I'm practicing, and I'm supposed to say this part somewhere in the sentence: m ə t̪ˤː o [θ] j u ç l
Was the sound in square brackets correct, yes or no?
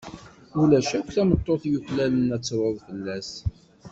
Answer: yes